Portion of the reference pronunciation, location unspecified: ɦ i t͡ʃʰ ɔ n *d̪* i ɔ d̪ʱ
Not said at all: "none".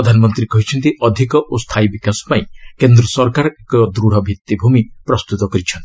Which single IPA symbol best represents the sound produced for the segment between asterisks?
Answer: t̪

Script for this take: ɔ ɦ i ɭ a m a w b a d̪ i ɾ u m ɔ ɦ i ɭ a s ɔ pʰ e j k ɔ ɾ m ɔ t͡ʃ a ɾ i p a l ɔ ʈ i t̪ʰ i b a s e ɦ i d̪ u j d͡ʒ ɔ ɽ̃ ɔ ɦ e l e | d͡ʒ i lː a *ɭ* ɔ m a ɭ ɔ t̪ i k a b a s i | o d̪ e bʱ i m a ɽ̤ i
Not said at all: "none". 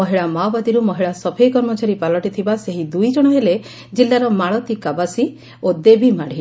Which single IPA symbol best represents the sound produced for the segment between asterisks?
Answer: ɾ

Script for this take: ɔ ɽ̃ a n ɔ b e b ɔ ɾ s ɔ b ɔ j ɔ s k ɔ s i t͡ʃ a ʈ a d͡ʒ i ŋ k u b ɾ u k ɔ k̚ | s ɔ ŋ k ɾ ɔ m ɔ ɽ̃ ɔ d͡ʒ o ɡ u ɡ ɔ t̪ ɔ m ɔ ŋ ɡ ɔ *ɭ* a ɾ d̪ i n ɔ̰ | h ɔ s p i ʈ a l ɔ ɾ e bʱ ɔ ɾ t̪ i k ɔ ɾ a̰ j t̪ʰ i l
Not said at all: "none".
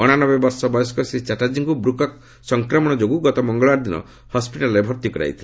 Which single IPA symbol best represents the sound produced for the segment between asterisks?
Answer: ɭ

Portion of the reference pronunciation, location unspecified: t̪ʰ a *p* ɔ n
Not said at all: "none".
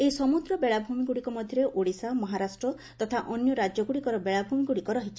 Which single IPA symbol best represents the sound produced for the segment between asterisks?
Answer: ʔ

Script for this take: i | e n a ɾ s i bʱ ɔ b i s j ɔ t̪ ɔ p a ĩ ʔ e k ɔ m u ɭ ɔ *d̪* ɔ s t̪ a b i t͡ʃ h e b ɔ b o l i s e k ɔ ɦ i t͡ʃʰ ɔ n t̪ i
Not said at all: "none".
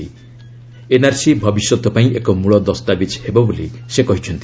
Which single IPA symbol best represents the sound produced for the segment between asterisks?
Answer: d̪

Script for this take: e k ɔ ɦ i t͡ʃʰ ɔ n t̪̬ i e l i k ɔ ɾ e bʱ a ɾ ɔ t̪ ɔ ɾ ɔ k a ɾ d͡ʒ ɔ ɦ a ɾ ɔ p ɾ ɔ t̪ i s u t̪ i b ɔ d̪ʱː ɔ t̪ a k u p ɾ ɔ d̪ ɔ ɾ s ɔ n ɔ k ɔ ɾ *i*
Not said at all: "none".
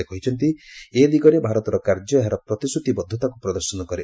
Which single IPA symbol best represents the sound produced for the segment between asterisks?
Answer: e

